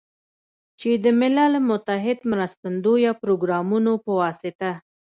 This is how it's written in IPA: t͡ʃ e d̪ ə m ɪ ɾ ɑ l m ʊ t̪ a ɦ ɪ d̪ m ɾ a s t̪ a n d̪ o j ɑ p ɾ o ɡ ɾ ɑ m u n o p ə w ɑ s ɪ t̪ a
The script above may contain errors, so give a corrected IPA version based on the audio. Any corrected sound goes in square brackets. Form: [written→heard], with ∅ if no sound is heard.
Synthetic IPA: t͡ʃ e d̪ ə m ɪ [ɾ→l] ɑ l m ʊ t̪ a ɦ ɪ d̪ m ɾ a s t̪ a n d̪ o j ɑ p ɾ o ɡ ɾ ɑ m u n o p ə w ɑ s ɪ t̪ a